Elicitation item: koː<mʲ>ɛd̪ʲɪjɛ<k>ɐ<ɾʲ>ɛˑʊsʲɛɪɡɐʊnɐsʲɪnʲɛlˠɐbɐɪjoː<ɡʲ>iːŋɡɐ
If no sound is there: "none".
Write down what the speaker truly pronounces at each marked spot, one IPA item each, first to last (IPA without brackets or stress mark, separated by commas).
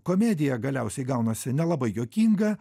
mʲ, ɡ, lʲ, kʲ